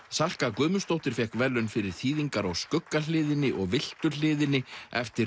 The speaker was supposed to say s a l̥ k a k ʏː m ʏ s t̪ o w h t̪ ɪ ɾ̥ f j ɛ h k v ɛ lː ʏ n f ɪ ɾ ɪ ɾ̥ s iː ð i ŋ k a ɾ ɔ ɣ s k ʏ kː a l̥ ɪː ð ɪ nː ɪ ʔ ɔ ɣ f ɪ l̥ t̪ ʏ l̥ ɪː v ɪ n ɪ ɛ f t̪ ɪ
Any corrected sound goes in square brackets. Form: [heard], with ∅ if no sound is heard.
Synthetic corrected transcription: s a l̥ k a k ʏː m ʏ s t̪ o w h t̪ ɪ ɾ̥ f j ɛ h k v ɛ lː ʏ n f ɪ ɾ ɪ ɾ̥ [θ] iː ð i ŋ k a ɾ ɔ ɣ s k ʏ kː a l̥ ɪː ð ɪ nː ɪ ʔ ɔ ɣ [v] ɪ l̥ t̪ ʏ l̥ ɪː [ð] ɪ n ɪ ɛ f t̪ ɪ